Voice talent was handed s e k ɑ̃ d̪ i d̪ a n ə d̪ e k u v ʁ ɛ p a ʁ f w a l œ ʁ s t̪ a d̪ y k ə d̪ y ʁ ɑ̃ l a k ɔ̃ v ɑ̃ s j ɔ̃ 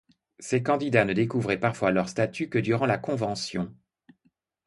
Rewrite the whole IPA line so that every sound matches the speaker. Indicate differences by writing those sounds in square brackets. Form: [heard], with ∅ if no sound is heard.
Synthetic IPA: s e k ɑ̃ d̪ i d̪ a n ə d̪ e k u v ʁ ɛ p a ʁ f w a l œ ʁ s t̪ a [t̪] y k ə d̪ y ʁ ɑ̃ l a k ɔ̃ v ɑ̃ s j ɔ̃